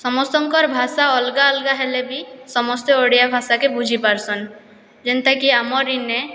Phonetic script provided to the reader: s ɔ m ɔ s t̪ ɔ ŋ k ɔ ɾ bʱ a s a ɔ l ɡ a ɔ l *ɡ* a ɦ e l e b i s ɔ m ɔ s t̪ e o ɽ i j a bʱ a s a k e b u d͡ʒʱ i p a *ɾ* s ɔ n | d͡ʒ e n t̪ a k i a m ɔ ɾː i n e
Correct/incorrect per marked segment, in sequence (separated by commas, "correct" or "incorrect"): correct, correct